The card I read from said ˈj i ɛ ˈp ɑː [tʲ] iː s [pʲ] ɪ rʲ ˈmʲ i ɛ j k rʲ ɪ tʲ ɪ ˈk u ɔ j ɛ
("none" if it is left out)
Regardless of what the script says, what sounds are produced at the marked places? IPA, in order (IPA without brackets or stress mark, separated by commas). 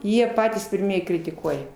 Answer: tʲ, pʲ